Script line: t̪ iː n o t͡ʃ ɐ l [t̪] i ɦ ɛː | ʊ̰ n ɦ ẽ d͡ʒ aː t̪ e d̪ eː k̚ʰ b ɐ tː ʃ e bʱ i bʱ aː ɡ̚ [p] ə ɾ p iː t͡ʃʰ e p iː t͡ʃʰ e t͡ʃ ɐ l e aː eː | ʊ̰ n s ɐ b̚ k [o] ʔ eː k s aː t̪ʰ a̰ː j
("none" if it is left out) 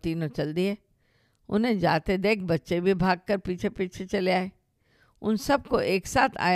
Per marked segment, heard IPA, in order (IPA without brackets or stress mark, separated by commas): d̪, k, o